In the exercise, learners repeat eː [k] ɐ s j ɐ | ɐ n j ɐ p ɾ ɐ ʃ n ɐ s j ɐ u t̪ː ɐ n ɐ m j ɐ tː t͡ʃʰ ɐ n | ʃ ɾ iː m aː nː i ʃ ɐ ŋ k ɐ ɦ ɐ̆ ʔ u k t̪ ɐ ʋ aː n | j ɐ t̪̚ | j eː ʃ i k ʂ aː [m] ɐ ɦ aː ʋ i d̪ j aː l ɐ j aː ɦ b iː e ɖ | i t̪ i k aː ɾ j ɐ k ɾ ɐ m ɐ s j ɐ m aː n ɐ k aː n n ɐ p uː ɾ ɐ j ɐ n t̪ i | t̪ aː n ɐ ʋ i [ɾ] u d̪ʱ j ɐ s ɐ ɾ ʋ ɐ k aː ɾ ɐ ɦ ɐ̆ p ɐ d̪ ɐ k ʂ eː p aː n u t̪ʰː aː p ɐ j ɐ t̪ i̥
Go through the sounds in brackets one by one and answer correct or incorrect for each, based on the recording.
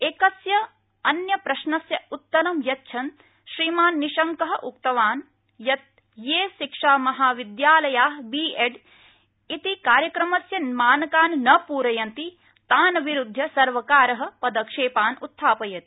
correct, correct, correct

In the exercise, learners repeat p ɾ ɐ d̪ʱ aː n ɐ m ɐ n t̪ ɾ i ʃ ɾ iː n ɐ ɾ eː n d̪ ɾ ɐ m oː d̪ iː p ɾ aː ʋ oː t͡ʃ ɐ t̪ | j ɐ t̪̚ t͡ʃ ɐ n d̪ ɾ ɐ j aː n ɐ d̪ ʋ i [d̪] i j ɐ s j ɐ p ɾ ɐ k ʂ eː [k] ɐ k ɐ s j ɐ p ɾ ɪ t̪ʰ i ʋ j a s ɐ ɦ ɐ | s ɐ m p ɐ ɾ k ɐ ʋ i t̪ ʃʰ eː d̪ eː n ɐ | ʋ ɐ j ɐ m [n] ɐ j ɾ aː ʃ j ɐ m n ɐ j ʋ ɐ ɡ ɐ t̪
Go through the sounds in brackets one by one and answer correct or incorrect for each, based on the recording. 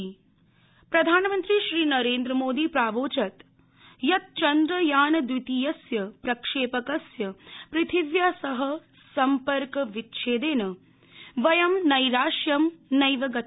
incorrect: t̪, incorrect: p, correct

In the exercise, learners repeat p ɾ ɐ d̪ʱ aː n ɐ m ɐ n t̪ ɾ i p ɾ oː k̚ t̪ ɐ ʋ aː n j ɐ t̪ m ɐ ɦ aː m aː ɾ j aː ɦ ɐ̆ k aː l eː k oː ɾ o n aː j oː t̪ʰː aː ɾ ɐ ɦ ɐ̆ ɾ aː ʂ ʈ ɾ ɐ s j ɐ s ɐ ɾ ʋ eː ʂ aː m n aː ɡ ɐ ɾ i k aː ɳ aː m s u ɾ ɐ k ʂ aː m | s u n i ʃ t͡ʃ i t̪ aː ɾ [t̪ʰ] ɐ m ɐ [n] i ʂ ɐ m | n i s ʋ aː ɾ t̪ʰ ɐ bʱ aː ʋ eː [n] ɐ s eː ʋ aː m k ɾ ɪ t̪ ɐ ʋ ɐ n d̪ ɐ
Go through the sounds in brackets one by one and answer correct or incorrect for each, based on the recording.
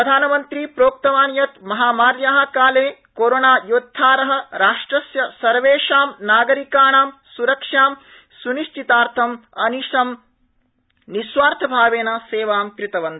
correct, correct, correct

